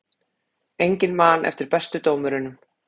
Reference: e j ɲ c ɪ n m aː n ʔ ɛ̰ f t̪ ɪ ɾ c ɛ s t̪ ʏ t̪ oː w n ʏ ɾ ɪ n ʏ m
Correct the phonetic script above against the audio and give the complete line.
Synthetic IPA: e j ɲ c ɪ n m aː n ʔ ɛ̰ f t̪ ɪ ɾ p ɛ s t̪ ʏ t̪ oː w m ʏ ɾ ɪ n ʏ m